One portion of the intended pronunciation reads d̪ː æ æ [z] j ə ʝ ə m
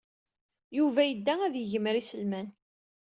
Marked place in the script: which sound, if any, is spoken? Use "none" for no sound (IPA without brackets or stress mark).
ð